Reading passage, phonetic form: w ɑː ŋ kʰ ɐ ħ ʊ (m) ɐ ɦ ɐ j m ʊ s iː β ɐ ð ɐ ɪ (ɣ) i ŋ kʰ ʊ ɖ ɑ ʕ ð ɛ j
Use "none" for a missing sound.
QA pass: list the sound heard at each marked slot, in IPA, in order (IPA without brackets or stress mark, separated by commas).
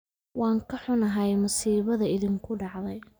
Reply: n, ð